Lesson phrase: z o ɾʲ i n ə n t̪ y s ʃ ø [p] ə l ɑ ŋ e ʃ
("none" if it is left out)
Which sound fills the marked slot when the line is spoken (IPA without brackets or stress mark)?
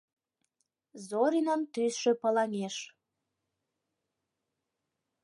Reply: p